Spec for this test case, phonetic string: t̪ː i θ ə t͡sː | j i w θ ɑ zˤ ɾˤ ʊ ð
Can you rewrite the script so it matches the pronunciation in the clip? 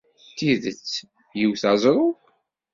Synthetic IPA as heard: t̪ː i ð ə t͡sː | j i w θ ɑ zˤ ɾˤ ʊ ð